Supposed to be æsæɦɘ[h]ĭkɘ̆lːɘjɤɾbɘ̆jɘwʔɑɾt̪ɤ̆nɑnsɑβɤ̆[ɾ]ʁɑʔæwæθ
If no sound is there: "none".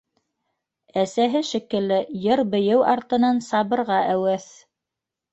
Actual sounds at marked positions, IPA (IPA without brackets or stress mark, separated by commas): ʃ, ɾ